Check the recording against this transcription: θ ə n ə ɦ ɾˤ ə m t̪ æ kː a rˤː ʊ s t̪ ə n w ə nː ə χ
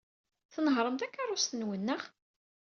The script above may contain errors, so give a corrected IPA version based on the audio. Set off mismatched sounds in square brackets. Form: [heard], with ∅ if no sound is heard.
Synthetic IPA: θ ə n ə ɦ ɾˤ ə m t̪ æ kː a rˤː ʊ s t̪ ə n w ə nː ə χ